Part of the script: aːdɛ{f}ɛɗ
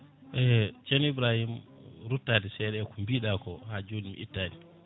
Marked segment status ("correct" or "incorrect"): incorrect